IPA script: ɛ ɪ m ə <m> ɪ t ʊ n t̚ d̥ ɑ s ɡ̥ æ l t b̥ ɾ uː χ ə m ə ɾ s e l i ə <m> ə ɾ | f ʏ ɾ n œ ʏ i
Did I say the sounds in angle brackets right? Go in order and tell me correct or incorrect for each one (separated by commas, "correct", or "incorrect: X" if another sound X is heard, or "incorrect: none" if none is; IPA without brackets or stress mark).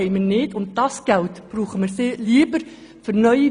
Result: incorrect: n, incorrect: b